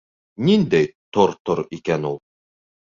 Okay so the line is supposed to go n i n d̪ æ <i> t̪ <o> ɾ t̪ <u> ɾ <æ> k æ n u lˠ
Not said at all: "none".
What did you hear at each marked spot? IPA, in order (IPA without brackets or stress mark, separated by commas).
j, o, o, i